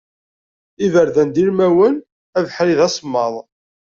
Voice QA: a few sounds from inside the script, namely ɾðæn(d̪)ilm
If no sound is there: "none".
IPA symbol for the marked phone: d̪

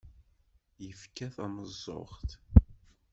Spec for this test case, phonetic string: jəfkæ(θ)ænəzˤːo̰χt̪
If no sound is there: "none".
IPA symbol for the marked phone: θ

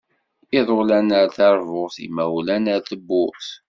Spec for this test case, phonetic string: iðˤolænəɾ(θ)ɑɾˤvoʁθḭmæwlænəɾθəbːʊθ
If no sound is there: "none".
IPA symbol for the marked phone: θ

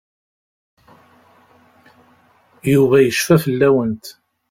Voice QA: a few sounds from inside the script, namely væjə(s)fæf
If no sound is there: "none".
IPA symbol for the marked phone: ʃ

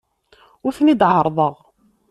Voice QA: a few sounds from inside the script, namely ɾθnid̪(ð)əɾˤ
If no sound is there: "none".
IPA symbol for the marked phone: ʕ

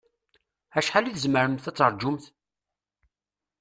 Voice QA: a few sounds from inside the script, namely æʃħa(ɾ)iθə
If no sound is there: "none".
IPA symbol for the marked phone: l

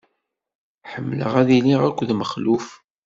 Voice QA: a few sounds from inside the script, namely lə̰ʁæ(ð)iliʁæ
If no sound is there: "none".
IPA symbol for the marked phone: ð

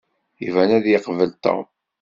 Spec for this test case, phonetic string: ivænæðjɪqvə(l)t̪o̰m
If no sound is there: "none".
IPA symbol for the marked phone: l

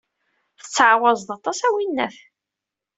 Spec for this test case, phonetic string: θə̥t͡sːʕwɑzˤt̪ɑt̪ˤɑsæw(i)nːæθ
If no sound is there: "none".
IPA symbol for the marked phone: i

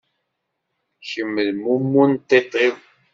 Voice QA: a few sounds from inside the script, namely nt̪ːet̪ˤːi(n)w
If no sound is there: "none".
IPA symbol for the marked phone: none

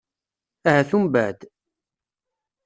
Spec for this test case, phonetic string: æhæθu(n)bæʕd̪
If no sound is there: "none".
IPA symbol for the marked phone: m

